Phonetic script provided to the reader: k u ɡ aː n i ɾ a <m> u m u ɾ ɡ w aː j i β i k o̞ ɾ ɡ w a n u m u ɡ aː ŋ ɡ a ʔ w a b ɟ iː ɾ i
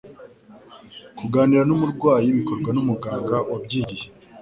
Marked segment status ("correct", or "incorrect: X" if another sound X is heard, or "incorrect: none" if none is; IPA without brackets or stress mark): incorrect: n